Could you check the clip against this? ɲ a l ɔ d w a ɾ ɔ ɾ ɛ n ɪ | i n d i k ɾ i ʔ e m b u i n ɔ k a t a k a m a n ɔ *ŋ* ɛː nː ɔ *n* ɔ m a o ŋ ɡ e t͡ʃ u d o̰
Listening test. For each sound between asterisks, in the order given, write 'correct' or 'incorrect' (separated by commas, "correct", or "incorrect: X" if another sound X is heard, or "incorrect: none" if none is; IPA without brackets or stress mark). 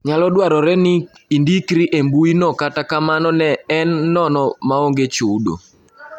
incorrect: n, correct